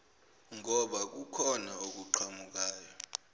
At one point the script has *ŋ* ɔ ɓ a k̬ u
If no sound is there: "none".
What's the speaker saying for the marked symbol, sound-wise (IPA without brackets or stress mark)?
ŋ